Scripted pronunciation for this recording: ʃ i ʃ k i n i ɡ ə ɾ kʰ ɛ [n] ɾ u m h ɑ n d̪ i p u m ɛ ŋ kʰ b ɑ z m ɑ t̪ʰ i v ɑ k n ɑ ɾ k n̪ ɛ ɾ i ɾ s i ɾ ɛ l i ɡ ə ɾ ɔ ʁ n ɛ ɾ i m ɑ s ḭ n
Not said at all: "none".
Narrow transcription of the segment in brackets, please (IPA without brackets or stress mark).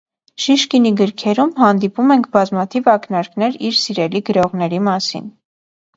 none